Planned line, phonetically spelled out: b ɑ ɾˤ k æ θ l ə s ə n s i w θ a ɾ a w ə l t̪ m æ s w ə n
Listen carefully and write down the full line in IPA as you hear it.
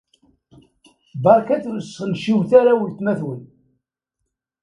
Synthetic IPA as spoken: b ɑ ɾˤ k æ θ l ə s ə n ʃ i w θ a ɾ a w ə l t̪ m æ θ w ə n

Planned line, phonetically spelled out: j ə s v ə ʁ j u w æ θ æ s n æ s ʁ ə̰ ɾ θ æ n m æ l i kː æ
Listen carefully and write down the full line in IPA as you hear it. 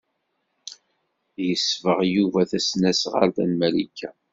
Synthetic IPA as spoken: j ə s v ə ʁ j u v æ θ æ s n æ s ʁ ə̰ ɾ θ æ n m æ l i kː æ

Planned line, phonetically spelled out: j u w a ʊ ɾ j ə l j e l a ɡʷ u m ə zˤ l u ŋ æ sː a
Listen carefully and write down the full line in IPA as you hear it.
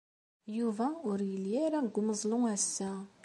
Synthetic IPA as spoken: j u v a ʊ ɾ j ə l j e ɾ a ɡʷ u m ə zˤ l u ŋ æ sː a

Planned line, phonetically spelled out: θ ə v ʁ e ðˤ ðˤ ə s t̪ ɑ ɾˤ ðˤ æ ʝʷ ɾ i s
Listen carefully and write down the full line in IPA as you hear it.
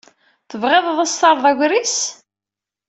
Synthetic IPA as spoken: θ ə v ʁ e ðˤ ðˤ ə s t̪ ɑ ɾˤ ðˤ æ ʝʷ ɾ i s

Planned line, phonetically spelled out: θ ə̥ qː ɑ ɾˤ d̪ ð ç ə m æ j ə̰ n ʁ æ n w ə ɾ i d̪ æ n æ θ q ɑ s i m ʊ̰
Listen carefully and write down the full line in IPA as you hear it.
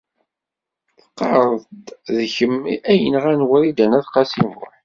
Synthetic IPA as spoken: θ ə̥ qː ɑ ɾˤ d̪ ð ç ə m æ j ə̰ n ʁ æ n w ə ɾ i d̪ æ n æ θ q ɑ s i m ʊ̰

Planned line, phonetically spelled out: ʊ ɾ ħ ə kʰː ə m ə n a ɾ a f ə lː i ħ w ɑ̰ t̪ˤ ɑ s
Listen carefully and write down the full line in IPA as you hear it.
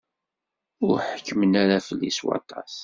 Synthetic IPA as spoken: ʊ ɾ ħ ə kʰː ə m ə n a ɾ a f ə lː i s w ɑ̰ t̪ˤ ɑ s

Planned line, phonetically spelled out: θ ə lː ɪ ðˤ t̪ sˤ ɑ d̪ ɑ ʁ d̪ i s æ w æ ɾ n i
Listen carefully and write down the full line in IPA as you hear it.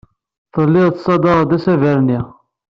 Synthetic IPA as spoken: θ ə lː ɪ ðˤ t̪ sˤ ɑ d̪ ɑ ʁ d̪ æ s æ v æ ɾ n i

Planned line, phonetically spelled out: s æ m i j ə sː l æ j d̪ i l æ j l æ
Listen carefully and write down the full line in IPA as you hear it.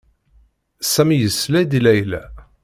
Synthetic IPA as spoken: s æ m i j ə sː l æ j d̪ i l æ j l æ

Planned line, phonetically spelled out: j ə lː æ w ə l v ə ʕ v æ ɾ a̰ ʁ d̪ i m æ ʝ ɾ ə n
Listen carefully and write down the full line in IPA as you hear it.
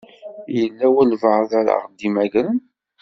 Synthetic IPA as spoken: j ə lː æ w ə l v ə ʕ ð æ ɾ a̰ ʁ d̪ i m æ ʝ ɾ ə n

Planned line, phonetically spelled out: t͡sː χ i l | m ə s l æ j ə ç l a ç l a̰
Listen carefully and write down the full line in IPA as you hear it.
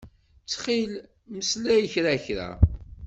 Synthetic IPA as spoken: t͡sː χ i l | m ə s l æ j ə ç ɾ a ç ɾ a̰

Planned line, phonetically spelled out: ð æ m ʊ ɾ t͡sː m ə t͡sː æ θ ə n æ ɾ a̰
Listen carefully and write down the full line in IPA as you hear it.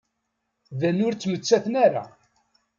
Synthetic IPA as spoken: ð æ n ʊ ɾ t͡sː m ə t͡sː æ θ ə n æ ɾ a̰

